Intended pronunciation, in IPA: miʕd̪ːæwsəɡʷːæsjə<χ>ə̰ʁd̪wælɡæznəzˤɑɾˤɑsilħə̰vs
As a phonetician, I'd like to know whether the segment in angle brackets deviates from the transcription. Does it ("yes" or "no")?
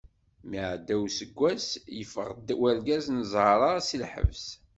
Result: yes